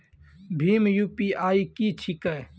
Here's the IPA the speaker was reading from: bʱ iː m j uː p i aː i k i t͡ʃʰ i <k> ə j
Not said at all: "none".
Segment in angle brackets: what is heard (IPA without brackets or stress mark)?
k